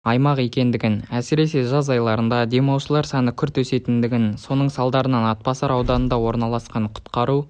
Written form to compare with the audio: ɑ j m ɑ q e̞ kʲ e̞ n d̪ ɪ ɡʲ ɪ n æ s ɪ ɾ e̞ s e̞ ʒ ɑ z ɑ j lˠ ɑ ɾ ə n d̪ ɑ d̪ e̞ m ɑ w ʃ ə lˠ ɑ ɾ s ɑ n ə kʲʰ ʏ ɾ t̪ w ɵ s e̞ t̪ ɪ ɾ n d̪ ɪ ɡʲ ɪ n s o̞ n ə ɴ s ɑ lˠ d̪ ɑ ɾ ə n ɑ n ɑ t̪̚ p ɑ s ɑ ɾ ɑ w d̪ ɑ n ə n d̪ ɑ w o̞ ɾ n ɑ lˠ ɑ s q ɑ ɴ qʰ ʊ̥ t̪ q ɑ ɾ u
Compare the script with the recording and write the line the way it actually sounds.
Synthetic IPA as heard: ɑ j m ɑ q e̞ kʲ e̞ n d̪ ɪ ɡʲ ɪ n æ s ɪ ɾ e̞ s e̞ ʒ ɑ z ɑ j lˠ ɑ ɾ ə n d̪ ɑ d̪ e̞ m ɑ w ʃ ə lˠ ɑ ɾ s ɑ n ə kʲʰ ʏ ɾ t̪ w ɵ s e̞ t̪ ɪ n d̪ ɪ ɡʲ ɪ n s o̞ n ə ɴ s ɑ lˠ d̪ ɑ ɾ ə n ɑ n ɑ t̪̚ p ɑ s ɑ ɾ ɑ w d̪ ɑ n ə n d̪ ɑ w o̞ ɾ n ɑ lˠ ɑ s q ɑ ɴ qʰ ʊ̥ t̪ q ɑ ɾ u